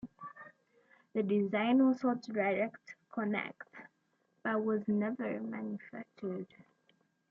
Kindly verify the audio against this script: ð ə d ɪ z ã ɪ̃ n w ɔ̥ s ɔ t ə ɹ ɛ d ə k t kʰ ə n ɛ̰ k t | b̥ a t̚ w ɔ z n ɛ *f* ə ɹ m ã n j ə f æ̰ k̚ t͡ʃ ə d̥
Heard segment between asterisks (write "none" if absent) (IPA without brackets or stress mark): v